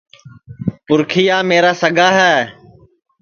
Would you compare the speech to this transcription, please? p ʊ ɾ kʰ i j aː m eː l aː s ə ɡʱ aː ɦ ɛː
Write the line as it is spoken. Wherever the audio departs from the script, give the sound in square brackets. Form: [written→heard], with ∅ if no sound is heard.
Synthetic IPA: p ʊ ɾ kʰ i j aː m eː [l→ɾ] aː s ə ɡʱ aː ɦ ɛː